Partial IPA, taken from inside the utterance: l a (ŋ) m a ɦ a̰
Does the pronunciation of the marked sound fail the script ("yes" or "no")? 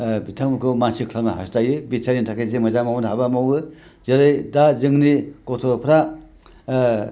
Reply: yes